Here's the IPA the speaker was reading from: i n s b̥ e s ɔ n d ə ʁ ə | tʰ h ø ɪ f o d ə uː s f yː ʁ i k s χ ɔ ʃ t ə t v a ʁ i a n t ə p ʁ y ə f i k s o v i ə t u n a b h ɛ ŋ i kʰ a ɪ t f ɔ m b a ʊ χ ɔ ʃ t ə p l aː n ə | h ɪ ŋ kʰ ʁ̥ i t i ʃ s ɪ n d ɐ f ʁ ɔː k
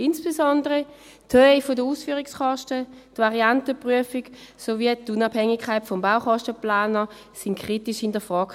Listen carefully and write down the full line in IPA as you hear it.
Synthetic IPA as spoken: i n s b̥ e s ɔ n d ə ʁ ə | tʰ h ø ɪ f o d ə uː s f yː ʁ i k s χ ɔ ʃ t ə t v a ʁ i a n t ə p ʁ y ə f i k s o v i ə t u n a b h ɛ ŋ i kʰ a ɪ t f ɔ m b a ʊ χ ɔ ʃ t ə p l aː n ə | s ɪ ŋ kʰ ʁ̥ i t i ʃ h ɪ n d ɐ f ʁ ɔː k